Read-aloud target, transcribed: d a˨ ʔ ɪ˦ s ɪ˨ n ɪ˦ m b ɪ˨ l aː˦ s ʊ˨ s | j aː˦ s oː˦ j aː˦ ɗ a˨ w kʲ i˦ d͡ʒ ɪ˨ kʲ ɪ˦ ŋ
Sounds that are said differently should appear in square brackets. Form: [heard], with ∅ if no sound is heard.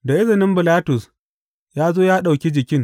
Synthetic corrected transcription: d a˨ ʔ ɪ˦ [z] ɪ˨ n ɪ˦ m b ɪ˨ l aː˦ [t] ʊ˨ s | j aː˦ [z] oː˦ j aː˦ ɗ a˨ w kʲ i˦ d͡ʒ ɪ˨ kʲ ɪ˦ ŋ